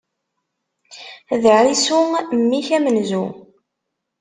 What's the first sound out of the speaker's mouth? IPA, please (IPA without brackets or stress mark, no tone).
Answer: ð